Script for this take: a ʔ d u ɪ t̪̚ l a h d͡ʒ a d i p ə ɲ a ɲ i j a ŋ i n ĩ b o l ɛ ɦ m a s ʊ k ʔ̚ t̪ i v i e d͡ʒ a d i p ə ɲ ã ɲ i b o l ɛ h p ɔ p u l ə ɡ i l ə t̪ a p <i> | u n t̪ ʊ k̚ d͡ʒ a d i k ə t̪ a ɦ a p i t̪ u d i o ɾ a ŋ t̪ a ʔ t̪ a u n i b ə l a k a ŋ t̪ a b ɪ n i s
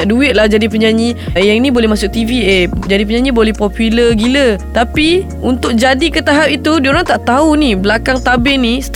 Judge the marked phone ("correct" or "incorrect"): correct